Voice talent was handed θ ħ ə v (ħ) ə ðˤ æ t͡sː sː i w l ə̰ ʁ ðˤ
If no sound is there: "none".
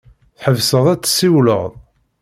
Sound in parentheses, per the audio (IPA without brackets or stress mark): s